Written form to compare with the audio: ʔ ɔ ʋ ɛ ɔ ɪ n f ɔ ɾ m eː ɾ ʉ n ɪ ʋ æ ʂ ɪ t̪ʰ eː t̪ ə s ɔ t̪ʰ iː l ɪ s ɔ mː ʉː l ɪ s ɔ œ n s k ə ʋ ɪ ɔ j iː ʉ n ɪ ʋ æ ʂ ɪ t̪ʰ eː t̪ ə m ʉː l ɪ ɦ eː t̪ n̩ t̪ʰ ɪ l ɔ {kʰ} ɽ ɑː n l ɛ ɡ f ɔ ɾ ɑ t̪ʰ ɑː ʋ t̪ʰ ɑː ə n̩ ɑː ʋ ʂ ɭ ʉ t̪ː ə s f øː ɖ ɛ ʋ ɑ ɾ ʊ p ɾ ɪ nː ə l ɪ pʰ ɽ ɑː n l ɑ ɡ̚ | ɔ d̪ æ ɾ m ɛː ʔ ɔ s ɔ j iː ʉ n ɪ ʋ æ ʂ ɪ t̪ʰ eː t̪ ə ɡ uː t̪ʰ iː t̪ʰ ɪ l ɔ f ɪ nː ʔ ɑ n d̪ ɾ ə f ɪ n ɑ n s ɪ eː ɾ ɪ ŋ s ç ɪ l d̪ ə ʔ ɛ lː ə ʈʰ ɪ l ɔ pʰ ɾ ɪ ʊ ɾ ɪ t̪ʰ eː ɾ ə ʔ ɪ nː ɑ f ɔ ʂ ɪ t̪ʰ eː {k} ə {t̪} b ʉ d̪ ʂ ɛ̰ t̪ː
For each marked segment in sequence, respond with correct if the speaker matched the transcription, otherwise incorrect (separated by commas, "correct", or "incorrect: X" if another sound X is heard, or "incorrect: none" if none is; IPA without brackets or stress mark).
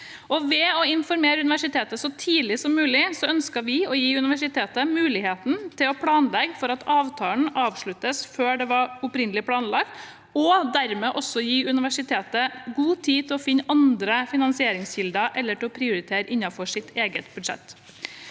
incorrect: pʰ, incorrect: ɡ, correct